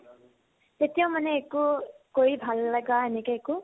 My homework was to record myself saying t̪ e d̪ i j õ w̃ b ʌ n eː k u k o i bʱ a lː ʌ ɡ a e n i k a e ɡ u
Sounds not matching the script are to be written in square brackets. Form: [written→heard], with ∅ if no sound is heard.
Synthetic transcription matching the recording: t̪ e [d̪→t̪] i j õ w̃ [b→m] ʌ n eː k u k o i bʱ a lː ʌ ɡ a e n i k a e [ɡ→k] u